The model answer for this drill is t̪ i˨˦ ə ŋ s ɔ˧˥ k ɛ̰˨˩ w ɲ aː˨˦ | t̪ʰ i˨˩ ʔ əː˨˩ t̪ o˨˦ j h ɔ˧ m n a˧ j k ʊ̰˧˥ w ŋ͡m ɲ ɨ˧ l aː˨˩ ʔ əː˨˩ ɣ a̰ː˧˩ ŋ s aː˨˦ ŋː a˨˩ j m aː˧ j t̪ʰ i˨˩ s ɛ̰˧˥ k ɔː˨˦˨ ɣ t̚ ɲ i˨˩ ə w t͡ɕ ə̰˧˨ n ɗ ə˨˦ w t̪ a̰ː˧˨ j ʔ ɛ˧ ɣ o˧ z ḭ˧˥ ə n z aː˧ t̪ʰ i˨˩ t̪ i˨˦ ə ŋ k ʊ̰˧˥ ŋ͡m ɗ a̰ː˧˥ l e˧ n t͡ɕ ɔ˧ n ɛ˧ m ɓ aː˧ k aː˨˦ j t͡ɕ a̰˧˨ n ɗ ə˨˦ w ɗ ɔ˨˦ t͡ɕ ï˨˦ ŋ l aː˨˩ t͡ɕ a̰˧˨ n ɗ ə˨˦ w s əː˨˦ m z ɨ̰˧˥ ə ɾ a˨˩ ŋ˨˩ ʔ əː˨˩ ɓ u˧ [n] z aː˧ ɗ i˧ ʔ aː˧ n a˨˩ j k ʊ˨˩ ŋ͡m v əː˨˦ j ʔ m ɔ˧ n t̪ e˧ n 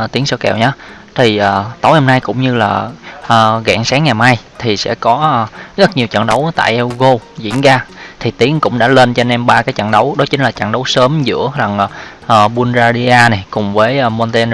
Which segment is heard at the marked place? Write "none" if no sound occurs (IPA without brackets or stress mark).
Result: n